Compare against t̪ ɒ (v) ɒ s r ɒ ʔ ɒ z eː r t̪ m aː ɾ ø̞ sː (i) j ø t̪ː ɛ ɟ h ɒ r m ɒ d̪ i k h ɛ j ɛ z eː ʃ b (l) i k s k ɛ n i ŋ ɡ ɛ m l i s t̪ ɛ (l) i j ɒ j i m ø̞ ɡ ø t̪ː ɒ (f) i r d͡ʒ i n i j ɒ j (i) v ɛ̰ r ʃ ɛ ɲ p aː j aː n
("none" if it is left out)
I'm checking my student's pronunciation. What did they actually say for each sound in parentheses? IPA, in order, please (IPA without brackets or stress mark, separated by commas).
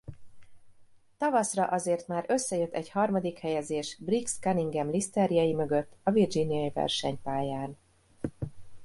v, ɛ, r, ɾ, v, i